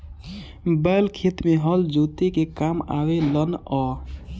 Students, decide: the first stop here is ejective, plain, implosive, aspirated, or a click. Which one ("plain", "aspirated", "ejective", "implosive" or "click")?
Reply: plain